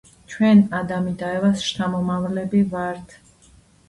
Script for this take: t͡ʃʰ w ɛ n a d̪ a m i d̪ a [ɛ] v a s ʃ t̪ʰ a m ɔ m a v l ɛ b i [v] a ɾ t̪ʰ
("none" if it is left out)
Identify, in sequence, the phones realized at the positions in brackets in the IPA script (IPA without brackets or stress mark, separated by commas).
ɛ, v